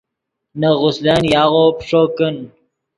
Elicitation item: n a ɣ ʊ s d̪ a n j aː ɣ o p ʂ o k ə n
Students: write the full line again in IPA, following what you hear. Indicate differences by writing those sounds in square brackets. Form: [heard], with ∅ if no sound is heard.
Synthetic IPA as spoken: n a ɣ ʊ s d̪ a n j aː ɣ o p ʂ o k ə n